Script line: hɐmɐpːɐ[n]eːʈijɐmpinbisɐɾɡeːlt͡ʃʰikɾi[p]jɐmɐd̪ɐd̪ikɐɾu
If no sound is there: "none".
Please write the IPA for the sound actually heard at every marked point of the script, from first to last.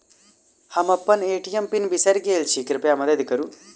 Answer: n, p

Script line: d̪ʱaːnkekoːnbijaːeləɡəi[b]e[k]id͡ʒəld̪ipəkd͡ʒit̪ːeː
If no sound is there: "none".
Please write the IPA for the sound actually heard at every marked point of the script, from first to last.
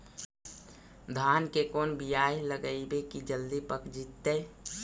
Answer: b, k

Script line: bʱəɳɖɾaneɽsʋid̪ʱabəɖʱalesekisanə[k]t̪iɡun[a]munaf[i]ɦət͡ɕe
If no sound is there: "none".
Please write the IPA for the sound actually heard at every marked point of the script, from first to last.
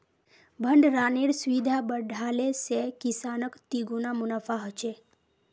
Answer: k, a, a

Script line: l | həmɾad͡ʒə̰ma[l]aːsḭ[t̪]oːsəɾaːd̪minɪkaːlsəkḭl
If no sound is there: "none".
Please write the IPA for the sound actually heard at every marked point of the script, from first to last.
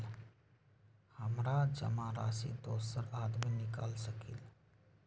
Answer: ɾ, d̪

